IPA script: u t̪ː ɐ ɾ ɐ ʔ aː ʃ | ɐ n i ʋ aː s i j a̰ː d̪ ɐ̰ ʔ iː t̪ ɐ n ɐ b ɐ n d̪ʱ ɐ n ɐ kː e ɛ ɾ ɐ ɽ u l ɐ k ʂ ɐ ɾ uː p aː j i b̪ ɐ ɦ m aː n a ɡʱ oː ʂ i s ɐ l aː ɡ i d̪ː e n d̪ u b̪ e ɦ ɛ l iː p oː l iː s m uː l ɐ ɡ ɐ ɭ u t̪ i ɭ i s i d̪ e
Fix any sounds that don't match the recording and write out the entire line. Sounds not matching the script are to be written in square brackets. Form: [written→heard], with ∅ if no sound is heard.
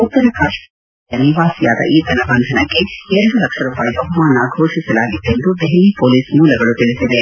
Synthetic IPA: u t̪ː ɐ ɾ ɐ [ʔ→k] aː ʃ | ɐ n i ʋ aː s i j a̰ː d̪ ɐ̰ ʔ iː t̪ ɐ n ɐ b ɐ n d̪ʱ ɐ n ɐ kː e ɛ ɾ ɐ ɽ u l ɐ k ʂ ɐ ɾ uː p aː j i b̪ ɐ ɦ m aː n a ɡʱ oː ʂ i s ɐ l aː ɡ i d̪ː e n d̪ u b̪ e ɦ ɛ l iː p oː l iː s m uː l ɐ ɡ ɐ ɭ u t̪ i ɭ i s i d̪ e

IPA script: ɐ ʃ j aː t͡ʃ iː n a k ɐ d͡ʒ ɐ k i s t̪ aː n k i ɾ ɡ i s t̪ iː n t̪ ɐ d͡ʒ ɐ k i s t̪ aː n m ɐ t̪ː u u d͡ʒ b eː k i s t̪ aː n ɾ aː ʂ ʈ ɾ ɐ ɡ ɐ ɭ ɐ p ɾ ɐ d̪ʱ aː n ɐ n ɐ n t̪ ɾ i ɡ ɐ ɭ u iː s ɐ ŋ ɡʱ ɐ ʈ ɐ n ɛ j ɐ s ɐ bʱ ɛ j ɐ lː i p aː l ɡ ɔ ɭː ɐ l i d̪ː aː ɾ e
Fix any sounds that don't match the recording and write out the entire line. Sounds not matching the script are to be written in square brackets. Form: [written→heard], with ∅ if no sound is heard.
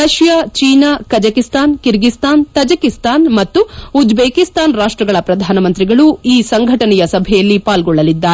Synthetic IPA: ɐ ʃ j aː t͡ʃ iː n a k ɐ d͡ʒ ɐ k i s t̪ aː n k i ɾ ɡ i s t̪ [iː→aː] n t̪ ɐ d͡ʒ ɐ k i s t̪ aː n m ɐ t̪ː u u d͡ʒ b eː k i s t̪ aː n ɾ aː ʂ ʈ ɾ ɐ ɡ ɐ ɭ ɐ p ɾ ɐ d̪ʱ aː n ɐ [n→m] ɐ n t̪ ɾ i ɡ ɐ ɭ u iː s ɐ ŋ ɡʱ ɐ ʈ ɐ n ɛ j ɐ s ɐ bʱ ɛ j ɐ lː i p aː l ɡ ɔ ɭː ɐ l i d̪ː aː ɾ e

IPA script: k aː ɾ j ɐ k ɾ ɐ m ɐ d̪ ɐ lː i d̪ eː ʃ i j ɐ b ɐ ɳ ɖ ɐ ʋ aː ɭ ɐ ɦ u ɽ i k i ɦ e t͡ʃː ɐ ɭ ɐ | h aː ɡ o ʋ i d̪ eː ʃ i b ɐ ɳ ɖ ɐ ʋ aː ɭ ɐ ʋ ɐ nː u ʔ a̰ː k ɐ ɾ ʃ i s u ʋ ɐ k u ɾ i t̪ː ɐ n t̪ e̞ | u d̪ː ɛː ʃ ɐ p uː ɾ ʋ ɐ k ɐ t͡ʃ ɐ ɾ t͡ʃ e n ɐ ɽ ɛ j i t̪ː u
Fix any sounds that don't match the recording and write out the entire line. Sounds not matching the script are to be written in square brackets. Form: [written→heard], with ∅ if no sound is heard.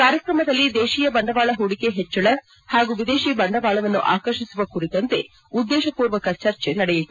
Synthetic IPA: k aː ɾ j ɐ k ɾ ɐ m ɐ d̪ ɐ lː i d̪ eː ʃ i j ɐ b ɐ ɳ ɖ ɐ ʋ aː ɭ ɐ ɦ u ɽ i k [i→e] ɦ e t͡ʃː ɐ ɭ ɐ | h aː ɡ [o→u] ʋ i d̪ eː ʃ i b ɐ ɳ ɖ ɐ ʋ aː ɭ ɐ ʋ ɐ nː u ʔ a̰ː k ɐ ɾ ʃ i s u ʋ ɐ k u ɾ i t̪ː ɐ n t̪ e̞ | u d̪ː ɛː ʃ ɐ p uː ɾ ʋ ɐ k ɐ t͡ʃ ɐ ɾ t͡ʃ e n ɐ ɽ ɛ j i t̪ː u

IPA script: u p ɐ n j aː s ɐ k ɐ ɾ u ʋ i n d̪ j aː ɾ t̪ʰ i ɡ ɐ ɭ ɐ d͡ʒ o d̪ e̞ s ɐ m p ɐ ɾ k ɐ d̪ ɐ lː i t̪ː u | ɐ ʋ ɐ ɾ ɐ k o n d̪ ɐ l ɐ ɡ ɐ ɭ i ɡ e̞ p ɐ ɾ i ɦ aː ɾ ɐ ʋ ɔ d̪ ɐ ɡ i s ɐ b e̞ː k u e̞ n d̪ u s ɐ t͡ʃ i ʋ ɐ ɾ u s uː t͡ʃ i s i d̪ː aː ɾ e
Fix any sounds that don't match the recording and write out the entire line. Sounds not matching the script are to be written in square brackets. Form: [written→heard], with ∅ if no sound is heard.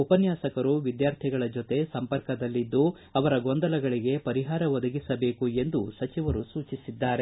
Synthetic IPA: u p ɐ n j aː s ɐ k ɐ ɾ u ʋ i [n→∅] d̪ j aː ɾ t̪ʰ i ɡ ɐ ɭ ɐ d͡ʒ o [d̪→t̪] e̞ s ɐ m p ɐ ɾ k ɐ d̪ ɐ lː i [t̪ː→d̪ː] u | ɐ ʋ ɐ ɾ ɐ [k→ɡ] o n d̪ ɐ l ɐ ɡ ɐ ɭ i ɡ e̞ p ɐ ɾ i ɦ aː ɾ ɐ ʋ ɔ d̪ ɐ ɡ i s ɐ b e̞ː k u e̞ n d̪ u s ɐ t͡ʃ i ʋ ɐ ɾ u s uː t͡ʃ i s i d̪ː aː ɾ e

